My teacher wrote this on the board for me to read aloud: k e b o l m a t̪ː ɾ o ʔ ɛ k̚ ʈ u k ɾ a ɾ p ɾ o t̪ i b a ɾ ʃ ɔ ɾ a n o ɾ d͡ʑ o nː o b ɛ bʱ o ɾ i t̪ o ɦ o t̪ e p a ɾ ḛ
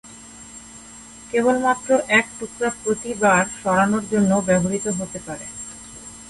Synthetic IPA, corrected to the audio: k e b o l m a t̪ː ɾ o ʔ ɛ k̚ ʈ u k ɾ a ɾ p ɾ o t̪ i b a ɾ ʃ ɔ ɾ a n o ɾ d͡ʑ o nː o b ɛ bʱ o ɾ i t̪ o ɦ o t̪ e p a ɾ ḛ